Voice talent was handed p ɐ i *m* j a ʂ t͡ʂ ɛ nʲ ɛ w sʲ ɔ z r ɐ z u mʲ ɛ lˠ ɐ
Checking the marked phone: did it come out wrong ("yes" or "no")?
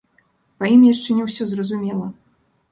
no